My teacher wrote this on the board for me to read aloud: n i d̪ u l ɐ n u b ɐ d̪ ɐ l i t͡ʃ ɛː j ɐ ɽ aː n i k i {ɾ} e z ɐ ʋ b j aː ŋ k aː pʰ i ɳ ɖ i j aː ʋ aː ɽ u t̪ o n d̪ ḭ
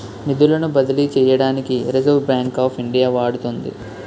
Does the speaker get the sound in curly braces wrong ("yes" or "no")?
no